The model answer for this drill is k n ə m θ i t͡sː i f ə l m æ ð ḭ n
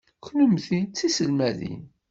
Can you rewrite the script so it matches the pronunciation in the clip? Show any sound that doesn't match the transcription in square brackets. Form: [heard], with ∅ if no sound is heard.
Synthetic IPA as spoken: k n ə m θ i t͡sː i [s] ə l m æ ð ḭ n